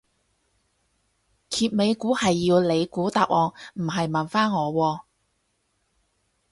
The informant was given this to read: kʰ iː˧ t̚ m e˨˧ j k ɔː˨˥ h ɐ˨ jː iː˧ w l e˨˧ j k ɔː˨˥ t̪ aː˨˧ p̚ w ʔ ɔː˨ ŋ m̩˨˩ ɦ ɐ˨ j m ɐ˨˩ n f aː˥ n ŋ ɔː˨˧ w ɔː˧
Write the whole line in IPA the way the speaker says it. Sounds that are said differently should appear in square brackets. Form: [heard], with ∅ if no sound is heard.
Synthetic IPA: kʰ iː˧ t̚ m e˨˧ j k [uː˨˥] h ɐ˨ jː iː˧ w l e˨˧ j k [uː˨˥] t̪ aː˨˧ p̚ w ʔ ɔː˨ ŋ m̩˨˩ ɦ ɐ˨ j m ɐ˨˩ n f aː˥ n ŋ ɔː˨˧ w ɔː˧

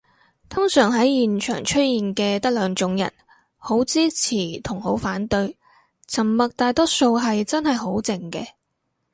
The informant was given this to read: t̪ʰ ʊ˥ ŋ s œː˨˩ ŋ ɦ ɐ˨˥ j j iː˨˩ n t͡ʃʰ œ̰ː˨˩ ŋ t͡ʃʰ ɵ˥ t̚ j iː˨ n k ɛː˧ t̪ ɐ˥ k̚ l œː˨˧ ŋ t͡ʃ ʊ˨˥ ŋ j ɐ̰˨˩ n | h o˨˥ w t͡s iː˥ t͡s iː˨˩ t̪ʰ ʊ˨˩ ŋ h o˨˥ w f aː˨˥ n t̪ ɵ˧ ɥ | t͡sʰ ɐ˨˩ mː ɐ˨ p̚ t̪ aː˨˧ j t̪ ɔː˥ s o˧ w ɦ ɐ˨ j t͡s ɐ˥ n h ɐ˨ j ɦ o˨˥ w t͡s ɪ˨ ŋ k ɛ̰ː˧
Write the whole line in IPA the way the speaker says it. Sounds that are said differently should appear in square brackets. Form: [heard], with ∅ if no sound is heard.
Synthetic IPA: t̪ʰ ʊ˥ ŋ s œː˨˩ ŋ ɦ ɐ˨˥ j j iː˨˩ n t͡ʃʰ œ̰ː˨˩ ŋ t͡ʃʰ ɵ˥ t̚ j iː˨ n k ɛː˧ t̪ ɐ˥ k̚ l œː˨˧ ŋ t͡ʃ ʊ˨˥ ŋ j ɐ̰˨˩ n | h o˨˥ w t͡s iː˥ [t͡sʰ] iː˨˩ t̪ʰ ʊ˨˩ ŋ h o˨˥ w f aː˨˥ n t̪ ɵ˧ ɥ | t͡sʰ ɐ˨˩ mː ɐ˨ [k̚] t̪ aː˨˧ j t̪ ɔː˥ s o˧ w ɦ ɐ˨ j t͡s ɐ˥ n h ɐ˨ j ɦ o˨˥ w t͡s ɪ˨ ŋ k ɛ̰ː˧

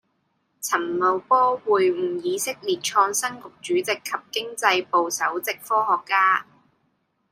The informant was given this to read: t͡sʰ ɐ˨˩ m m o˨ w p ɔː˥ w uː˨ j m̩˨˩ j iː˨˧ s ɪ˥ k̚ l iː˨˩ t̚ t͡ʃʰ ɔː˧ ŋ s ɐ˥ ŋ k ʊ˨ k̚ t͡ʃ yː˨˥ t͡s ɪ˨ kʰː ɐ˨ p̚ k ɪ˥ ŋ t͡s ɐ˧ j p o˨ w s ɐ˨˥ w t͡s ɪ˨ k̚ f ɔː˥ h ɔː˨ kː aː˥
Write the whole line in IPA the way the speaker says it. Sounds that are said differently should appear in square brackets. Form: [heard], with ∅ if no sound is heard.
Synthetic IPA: t͡sʰ ɐ˨˩ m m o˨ w p ɔː˥ w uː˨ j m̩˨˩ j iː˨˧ s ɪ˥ k̚ l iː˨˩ t̚ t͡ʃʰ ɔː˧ ŋ s ɐ˥ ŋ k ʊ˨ k̚ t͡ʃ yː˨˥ t͡s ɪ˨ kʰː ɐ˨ p̚ k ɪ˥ ŋ t͡s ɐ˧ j p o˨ w s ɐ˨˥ w t͡s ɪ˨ k̚ f ɔː˥ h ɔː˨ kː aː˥

